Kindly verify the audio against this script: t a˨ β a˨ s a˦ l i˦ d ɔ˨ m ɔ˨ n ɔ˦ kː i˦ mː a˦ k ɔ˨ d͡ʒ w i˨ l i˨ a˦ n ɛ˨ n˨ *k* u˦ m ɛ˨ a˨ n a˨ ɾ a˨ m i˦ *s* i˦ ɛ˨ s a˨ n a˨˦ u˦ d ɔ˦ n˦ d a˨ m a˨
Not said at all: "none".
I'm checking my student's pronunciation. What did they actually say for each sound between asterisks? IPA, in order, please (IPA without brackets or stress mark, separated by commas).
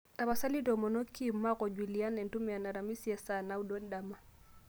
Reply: t, s